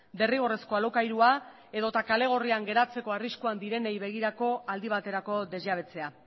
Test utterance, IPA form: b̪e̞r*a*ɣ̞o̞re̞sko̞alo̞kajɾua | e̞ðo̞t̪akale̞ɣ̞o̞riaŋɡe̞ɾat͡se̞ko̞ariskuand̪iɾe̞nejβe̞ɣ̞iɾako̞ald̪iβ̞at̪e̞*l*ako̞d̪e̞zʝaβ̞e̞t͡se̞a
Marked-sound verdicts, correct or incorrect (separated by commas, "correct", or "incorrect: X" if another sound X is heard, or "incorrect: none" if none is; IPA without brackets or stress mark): incorrect: i, incorrect: ɾ